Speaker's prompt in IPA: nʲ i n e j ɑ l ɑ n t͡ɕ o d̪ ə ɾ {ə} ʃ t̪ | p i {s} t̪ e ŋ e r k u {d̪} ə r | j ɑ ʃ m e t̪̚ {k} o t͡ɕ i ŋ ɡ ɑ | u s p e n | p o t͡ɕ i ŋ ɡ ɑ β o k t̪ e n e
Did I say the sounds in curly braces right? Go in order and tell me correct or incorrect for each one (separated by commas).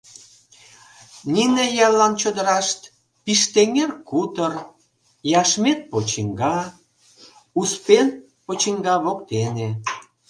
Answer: incorrect, incorrect, incorrect, incorrect